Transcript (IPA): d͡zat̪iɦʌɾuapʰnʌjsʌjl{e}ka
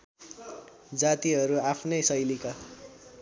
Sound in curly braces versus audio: incorrect: i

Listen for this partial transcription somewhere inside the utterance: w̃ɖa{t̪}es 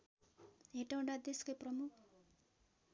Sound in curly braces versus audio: incorrect: d̪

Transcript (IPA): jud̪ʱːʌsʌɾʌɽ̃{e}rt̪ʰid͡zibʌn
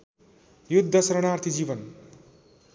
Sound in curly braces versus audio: incorrect: a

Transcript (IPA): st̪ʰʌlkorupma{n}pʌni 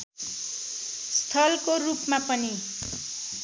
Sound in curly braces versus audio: incorrect: none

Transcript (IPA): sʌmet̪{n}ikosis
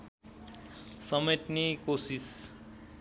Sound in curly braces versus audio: correct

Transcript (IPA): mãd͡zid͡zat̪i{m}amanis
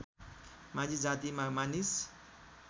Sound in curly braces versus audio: correct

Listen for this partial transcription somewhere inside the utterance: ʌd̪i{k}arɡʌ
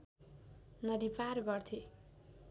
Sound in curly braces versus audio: incorrect: p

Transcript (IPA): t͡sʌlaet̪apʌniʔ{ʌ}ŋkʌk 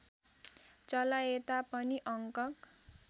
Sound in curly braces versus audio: correct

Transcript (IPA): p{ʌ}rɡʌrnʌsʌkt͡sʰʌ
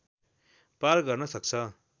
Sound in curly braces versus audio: incorrect: a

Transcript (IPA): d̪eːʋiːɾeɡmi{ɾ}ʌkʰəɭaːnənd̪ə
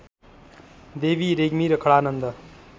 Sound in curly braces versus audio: correct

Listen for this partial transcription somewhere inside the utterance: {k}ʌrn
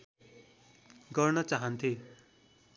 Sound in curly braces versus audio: incorrect: ɡ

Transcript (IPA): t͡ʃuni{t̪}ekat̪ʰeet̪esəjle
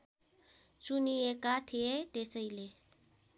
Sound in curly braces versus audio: incorrect: none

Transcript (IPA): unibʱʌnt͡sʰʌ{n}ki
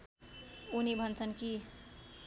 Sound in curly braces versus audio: correct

